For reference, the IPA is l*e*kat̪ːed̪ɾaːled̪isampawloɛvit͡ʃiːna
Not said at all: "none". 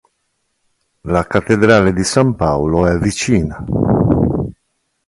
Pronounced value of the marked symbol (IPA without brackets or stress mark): a